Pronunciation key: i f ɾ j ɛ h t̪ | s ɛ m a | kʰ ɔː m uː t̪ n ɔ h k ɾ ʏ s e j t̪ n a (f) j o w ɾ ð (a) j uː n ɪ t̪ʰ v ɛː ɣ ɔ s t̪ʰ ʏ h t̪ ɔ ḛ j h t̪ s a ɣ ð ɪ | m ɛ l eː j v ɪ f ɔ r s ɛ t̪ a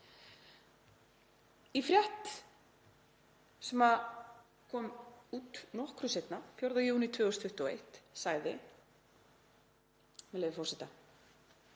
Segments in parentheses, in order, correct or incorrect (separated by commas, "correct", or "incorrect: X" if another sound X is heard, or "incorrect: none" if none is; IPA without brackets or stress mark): correct, correct